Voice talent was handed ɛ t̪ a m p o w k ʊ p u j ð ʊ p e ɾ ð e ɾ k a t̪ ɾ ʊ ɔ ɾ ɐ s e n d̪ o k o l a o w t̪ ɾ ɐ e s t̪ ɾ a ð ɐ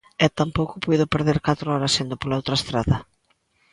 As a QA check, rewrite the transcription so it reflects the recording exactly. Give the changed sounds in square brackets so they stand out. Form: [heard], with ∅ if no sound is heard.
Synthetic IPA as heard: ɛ t̪ a m p o w k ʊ p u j ð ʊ p e ɾ ð e ɾ k a t̪ ɾ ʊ ɔ ɾ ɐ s e n d̪ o [p] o l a o w t̪ ɾ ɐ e s t̪ ɾ a ð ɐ